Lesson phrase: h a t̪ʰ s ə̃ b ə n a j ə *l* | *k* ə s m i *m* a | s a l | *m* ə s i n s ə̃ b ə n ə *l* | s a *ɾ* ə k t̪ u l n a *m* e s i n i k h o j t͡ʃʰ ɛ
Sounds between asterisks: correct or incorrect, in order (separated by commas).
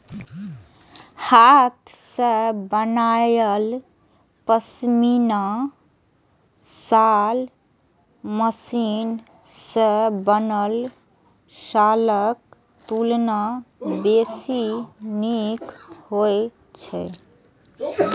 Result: correct, incorrect, incorrect, correct, correct, incorrect, incorrect